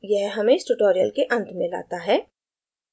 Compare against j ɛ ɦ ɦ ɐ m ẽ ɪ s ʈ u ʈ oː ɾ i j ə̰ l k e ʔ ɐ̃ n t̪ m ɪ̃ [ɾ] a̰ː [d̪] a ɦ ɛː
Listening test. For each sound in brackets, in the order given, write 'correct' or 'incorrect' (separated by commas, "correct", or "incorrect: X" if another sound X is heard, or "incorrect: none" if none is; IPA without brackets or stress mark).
incorrect: l, incorrect: t̪